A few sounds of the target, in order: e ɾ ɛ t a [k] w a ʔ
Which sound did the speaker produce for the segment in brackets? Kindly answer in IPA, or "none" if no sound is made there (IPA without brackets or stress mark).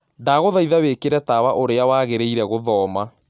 none